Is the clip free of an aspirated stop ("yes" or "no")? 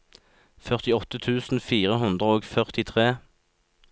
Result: no